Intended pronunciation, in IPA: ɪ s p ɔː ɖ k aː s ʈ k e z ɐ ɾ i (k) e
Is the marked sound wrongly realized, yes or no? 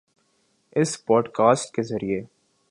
yes